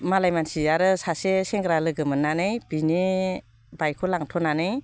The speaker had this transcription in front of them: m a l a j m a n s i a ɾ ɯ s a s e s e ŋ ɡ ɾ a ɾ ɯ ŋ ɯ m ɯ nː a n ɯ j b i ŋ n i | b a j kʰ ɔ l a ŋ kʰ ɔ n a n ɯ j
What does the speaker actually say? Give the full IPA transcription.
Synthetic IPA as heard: m a l a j m a n s i a ɾ ɯ s a s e s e ŋ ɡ ɾ a l ɯ ɡ ɯ m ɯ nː a n ɯ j b i n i | b a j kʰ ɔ l a ŋ tʰ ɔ n a n ɯ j